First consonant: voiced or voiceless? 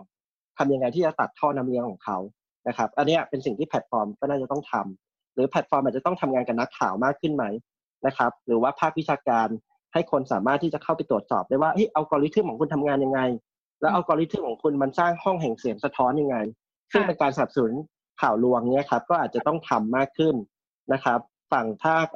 voiceless